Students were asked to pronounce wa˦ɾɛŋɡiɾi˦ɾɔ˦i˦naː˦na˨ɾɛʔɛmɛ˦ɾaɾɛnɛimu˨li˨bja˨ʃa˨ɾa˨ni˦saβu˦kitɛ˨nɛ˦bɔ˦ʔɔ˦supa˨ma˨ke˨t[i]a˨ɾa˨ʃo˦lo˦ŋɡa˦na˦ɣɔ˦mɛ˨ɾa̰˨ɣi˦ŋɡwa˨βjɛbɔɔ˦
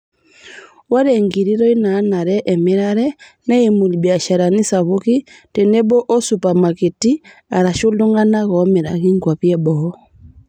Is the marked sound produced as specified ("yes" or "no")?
yes